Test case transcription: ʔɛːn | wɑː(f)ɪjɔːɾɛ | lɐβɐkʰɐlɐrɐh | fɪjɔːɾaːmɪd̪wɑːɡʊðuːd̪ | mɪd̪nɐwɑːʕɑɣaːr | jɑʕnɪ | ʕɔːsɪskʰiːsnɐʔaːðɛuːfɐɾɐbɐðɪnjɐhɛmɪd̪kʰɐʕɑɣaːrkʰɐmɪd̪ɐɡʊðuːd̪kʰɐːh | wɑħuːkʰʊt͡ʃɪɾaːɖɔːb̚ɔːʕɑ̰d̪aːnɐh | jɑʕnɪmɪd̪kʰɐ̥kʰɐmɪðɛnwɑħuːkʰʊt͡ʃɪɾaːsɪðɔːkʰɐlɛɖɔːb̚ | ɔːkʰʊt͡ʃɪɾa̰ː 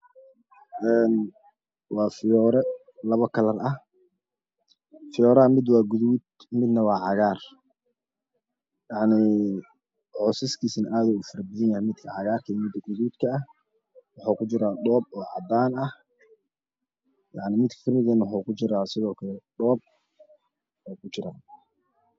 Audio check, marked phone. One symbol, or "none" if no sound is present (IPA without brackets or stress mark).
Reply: f